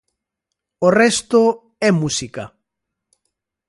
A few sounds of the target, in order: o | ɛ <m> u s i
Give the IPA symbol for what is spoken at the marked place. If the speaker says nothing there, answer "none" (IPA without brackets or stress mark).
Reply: m